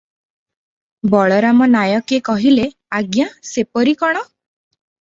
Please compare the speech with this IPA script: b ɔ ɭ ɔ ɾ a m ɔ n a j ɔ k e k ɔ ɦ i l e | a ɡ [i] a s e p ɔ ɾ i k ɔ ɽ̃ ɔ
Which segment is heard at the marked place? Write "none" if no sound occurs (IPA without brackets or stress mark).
j